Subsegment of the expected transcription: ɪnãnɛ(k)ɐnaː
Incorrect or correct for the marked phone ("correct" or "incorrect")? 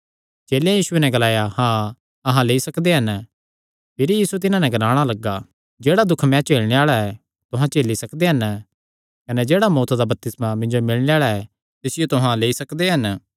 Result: incorrect